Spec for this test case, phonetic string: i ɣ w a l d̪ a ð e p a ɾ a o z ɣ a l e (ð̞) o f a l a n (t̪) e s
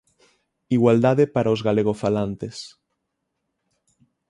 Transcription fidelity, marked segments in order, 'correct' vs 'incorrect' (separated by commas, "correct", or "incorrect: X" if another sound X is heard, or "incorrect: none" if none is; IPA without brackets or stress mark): incorrect: ɣ̞, correct